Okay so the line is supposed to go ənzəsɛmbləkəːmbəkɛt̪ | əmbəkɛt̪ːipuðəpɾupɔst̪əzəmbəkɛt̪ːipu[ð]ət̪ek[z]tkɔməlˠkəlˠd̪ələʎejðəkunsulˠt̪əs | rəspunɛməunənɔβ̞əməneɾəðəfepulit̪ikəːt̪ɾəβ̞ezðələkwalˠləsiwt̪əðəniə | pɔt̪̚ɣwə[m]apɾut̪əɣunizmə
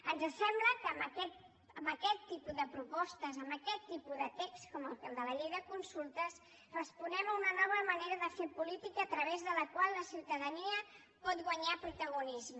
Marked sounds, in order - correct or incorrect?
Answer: correct, incorrect: s, incorrect: ɲ

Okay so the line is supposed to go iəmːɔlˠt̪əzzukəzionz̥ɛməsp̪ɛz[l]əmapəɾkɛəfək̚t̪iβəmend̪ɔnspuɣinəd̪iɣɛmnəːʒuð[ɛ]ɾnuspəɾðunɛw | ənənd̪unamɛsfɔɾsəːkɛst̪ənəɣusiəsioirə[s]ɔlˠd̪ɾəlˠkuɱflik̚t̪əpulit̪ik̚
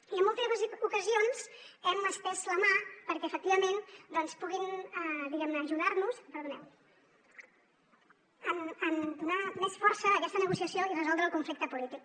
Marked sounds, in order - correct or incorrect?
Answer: correct, incorrect: a, incorrect: z

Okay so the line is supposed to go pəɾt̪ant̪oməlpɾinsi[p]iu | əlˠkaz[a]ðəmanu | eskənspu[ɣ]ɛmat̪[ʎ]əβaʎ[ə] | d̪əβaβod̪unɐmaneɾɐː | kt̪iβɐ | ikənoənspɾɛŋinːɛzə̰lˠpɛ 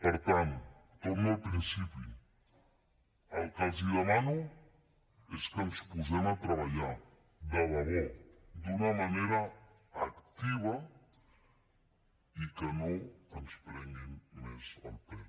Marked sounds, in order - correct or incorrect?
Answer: correct, incorrect: i, incorrect: z, incorrect: ɾ, incorrect: a

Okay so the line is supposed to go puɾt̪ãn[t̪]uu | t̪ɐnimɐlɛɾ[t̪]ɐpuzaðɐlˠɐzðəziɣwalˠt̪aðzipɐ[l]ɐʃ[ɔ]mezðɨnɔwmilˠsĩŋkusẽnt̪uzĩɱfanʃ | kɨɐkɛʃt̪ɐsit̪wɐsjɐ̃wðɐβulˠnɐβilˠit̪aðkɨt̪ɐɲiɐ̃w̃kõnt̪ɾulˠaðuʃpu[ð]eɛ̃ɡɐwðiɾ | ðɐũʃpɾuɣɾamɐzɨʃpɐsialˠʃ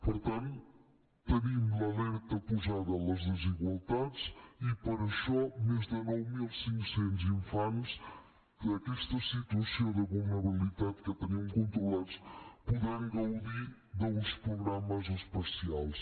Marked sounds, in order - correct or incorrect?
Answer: correct, correct, incorrect: ɾ, correct, correct

